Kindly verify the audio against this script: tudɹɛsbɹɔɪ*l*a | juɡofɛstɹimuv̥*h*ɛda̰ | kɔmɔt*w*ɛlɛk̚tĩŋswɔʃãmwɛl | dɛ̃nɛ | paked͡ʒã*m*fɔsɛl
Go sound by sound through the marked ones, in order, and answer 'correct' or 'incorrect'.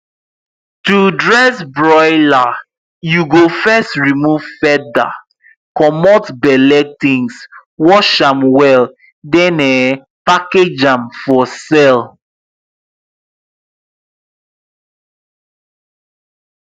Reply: correct, incorrect: f, incorrect: b, correct

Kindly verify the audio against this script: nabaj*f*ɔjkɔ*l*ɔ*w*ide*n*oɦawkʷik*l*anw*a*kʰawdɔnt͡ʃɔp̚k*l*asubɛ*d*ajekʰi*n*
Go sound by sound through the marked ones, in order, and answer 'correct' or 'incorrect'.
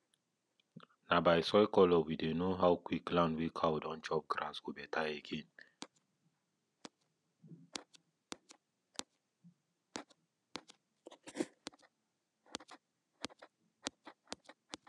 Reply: incorrect: s, correct, correct, correct, correct, incorrect: i, incorrect: ɾ, incorrect: t, correct

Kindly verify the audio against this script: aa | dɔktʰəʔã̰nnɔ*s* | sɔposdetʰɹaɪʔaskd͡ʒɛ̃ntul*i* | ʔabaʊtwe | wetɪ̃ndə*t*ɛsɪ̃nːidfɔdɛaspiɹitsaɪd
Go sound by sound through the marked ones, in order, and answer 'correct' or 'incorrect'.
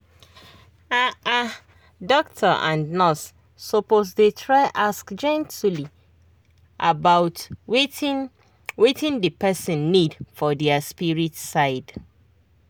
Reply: correct, correct, incorrect: p

